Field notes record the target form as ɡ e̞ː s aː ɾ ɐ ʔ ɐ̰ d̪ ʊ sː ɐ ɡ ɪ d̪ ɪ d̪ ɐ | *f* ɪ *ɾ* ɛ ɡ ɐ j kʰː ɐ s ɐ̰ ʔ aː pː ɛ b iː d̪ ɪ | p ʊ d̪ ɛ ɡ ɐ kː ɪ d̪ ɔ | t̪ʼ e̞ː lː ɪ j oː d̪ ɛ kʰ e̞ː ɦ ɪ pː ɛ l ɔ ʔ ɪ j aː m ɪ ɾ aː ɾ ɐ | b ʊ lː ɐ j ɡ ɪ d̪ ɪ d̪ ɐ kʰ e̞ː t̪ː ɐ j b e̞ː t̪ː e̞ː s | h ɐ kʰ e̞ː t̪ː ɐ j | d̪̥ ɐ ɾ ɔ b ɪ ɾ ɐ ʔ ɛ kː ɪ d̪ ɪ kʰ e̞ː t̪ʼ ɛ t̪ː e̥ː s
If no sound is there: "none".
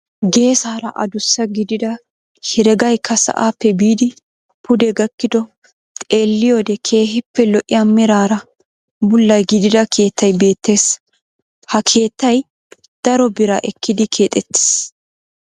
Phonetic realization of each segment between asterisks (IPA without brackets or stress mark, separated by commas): h, ɾ